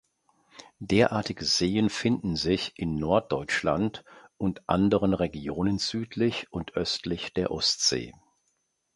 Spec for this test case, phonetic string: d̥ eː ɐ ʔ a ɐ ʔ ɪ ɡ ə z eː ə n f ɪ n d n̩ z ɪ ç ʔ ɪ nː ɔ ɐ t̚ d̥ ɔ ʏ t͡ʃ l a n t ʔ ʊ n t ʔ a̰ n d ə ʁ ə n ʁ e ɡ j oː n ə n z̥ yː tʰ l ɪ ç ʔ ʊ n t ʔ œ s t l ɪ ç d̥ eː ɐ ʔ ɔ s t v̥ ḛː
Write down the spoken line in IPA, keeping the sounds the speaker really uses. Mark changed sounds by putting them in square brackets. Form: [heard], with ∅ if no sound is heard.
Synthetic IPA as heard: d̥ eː ɐ ʔ a ɐ [t] ɪ ɡ ə z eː ə n f ɪ n d n̩ z ɪ ç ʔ ɪ nː ɔ ɐ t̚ d̥ ɔ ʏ t͡ʃ l a n t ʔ ʊ n t ʔ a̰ n d ə ʁ ə n ʁ e ɡ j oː n ə n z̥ yː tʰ l ɪ ç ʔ ʊ n t ʔ œ s t l ɪ ç d̥ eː ɐ ʔ ɔ s t [z̥] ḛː